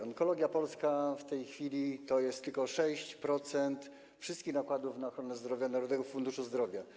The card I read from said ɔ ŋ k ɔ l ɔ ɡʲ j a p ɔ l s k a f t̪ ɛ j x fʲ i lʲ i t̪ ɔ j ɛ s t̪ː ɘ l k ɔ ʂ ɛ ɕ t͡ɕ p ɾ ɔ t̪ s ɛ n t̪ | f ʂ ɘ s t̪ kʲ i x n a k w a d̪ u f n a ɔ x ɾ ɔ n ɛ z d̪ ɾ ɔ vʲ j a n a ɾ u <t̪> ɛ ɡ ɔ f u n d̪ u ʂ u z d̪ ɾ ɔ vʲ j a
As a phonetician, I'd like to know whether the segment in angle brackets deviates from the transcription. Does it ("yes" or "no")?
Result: yes